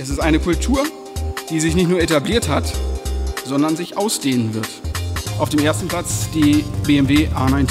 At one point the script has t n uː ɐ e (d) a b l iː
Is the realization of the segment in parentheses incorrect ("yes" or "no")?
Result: yes